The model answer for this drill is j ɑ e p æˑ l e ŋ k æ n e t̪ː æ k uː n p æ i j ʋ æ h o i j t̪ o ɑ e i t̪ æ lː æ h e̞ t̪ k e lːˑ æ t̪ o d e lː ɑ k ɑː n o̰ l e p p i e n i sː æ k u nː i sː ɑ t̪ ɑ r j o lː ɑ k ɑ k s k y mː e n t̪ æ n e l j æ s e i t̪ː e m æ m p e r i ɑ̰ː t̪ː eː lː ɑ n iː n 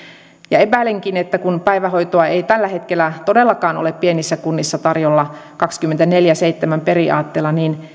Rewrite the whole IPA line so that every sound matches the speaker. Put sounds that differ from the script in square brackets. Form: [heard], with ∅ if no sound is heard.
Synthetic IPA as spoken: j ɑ e p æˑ l e ŋ k [i] n e t̪ː æ k [u] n p æ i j ʋ æ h o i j t̪ o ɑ e i t̪ æ lː æ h e̞ t̪ k e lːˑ æ t̪ o d e lː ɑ k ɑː n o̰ l e p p i e n i sː æ k u nː i sː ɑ t̪ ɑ r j o lː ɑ k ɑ k s k y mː e n t̪ æ n e l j æ s e i t̪ː e m æ m p e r i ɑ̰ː t̪ː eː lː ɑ n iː n